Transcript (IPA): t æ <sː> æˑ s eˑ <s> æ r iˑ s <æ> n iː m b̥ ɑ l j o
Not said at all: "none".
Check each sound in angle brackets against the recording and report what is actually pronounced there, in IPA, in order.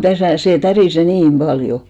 s, t, e

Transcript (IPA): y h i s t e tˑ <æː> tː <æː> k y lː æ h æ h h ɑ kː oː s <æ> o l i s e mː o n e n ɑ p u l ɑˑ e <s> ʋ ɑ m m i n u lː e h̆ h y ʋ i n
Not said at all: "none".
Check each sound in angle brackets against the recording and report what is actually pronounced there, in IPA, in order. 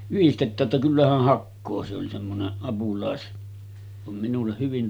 æː, æ, e, s

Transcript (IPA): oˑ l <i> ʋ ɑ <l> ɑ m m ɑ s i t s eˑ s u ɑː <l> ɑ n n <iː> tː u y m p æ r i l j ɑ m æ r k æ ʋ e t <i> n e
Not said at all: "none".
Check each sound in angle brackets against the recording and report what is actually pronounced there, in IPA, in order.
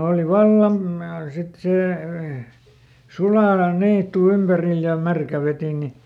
i, lː, l, iː, i

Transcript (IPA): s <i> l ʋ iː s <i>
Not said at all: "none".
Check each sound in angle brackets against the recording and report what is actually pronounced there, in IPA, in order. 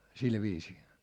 i, iː

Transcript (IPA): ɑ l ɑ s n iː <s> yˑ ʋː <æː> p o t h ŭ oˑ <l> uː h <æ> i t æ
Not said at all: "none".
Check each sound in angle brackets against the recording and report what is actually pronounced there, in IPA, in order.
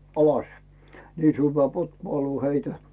s, æː, l, e

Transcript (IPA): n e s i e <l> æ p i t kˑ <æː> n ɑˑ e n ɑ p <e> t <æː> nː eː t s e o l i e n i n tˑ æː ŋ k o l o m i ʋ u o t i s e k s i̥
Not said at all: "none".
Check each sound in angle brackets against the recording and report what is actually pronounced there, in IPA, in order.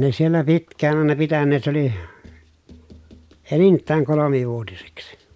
lː, æː, i, æ

